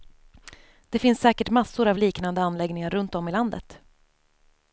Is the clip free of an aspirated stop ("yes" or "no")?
yes